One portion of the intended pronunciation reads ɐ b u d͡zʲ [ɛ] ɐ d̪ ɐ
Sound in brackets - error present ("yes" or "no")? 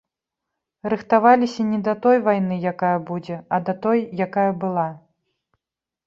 no